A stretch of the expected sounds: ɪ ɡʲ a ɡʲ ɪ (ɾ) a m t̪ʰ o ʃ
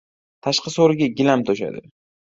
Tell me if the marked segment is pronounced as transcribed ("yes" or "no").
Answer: no